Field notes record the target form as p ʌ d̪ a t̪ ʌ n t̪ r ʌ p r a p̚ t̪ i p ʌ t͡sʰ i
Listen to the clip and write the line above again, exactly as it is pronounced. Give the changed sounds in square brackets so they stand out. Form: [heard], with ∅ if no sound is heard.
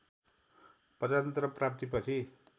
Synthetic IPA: p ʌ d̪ a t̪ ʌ n t̪ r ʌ p r a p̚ t̪ i p ʌ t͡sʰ i